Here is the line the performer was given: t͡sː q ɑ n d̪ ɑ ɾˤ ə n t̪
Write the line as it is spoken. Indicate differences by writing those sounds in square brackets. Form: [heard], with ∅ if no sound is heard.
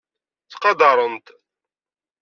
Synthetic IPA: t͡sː q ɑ [∅] d̪ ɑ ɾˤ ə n t̪